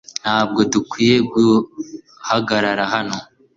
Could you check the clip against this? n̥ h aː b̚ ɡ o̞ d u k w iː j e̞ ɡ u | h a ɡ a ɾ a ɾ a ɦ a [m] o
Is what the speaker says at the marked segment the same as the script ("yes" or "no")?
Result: no